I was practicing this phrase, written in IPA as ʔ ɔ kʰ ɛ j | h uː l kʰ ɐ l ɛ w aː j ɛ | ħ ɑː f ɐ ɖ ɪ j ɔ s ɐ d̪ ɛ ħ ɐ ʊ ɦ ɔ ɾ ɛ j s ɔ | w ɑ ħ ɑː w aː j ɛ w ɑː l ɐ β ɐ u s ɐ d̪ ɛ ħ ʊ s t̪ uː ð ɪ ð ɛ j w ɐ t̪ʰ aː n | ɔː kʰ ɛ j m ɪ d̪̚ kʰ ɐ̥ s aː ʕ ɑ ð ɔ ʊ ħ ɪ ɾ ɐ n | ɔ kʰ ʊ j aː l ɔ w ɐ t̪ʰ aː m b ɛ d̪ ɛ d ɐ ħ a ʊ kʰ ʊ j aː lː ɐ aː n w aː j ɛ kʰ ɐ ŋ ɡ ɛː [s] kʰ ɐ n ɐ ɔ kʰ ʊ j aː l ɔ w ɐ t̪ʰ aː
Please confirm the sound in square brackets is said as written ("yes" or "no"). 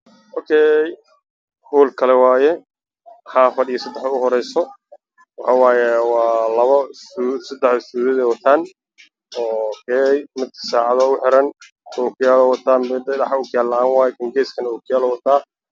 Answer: yes